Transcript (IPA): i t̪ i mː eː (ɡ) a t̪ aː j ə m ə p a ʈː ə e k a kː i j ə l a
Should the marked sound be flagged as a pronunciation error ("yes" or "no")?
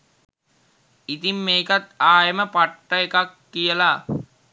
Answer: yes